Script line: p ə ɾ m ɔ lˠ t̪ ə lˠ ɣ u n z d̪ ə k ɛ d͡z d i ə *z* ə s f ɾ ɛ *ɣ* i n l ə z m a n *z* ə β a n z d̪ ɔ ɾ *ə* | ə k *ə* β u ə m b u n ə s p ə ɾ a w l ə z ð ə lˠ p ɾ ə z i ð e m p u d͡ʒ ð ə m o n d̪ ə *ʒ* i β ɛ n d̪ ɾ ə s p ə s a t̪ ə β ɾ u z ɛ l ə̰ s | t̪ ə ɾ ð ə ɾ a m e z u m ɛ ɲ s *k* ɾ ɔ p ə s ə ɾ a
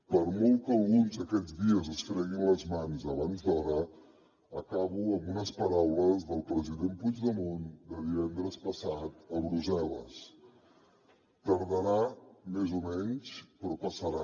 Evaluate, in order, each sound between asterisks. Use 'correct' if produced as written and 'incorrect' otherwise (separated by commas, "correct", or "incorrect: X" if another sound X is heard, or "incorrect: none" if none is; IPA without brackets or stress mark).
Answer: correct, correct, correct, correct, incorrect: a, incorrect: ð, incorrect: p